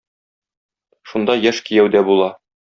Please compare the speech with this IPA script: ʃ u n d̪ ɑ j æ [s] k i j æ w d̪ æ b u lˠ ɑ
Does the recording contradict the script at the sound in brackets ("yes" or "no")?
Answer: yes